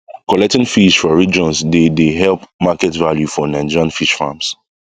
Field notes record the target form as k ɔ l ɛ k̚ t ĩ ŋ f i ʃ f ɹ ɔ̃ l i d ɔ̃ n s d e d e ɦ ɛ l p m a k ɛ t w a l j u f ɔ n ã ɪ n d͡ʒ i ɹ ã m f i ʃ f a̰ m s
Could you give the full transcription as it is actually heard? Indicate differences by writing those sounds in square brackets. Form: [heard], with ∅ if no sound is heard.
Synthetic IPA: k ɔ l ɛ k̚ t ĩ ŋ f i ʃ f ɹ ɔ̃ [ɹ] i [d͡ʒ] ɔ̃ n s d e d e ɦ ɛ l p m a k ɛ t [v] a l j u f ɔ n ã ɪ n d͡ʒ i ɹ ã [n] f i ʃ f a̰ m s